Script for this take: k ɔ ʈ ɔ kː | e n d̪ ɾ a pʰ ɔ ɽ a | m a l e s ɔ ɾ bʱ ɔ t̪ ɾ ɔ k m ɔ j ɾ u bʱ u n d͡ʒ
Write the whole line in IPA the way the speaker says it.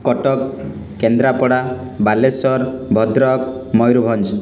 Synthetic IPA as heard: k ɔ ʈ ɔ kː | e n d̪ ɾ a p ɔ ɽ a | b a l e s ɔ ɾ bʱ ɔ d̪ ɾ ɔ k m ɔ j ɾ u bʱ ɔ n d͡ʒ